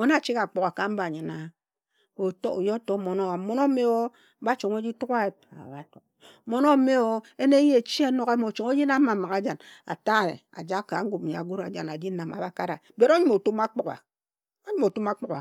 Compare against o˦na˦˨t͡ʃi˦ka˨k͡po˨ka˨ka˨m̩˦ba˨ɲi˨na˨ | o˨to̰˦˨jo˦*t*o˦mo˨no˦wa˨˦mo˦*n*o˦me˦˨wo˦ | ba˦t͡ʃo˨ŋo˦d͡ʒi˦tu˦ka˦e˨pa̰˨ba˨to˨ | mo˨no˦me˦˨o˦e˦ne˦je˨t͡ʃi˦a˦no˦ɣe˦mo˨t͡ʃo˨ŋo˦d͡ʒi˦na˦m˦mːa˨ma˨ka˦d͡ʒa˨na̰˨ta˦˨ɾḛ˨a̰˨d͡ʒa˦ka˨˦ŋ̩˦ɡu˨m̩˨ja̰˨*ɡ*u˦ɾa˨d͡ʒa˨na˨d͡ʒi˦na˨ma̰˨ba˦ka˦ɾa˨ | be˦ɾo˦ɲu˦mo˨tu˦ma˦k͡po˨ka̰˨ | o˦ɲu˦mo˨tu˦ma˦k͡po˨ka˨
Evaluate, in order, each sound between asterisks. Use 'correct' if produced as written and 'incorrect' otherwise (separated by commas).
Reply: correct, correct, correct